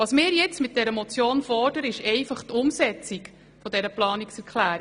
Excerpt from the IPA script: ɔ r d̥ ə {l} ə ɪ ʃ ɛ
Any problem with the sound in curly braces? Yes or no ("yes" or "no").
yes